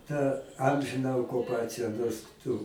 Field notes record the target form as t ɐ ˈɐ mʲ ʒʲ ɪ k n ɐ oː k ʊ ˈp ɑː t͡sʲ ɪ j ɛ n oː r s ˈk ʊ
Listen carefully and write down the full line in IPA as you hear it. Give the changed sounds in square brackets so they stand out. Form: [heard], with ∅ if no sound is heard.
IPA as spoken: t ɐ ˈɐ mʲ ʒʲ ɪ [∅] n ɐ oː k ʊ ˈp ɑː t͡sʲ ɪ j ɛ n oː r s [ˈt] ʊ